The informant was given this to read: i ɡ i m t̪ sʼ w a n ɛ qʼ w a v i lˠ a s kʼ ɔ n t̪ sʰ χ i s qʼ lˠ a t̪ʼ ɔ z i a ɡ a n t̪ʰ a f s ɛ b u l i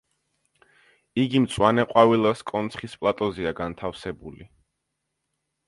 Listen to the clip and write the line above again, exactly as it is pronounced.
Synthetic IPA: i ɡ i m t̪ sʼ w a n ɛ qʼ w a v i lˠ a s kʼ ɔ n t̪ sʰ χ i s pʼ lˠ a t̪ʼ ɔ z i a ɡ a n t̪ʰ a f s ɛ b u l i